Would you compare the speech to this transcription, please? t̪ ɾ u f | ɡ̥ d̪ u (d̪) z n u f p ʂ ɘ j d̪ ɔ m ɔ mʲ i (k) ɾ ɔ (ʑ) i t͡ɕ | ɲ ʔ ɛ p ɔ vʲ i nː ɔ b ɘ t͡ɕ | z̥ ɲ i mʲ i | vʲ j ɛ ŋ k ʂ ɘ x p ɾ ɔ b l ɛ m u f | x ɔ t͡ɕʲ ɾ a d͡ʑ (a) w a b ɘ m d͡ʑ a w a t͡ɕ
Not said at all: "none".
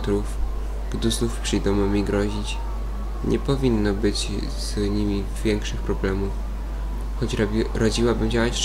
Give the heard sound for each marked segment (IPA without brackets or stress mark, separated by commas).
none, ɡ, ʑ, i